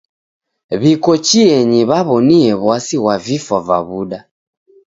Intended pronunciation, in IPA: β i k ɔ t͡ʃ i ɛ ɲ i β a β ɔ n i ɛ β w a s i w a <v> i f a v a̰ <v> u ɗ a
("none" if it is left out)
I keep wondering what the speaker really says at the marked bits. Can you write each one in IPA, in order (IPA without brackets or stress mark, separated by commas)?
v, β